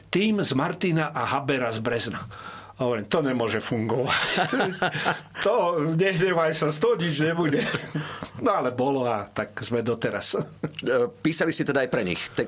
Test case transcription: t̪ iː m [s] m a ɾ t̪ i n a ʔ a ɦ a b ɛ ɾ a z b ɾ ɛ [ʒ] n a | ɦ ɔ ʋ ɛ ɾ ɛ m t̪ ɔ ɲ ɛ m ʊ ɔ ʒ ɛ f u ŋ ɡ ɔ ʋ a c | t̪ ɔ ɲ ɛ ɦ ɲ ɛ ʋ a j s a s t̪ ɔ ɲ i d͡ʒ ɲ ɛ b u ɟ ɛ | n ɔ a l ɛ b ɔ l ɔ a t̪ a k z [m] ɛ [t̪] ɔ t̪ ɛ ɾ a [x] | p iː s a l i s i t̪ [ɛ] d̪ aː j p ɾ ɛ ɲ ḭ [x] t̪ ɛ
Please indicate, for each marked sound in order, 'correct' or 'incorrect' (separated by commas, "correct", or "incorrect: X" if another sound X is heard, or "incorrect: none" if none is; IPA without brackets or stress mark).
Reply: incorrect: z, incorrect: z, correct, incorrect: d̪, incorrect: s, correct, correct